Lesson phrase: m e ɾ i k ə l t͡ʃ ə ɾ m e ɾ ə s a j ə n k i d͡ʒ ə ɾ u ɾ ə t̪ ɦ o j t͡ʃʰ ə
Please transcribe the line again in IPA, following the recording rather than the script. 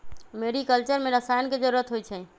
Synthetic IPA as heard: m e ɾ i k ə l t͡ʃ ə ɾ m e ɾ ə s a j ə n k e d͡ʒ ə ɾ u ɾ ə t̪ ɦ o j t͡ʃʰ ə